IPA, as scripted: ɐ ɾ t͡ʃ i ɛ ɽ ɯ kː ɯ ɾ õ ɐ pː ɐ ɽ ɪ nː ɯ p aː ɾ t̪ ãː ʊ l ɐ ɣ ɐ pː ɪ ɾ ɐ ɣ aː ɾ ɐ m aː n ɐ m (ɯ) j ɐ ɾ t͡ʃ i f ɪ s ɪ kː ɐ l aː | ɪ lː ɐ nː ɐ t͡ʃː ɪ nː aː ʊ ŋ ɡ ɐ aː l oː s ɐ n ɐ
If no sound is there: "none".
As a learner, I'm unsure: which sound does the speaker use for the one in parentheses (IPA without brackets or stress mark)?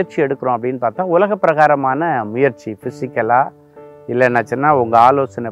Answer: ʊ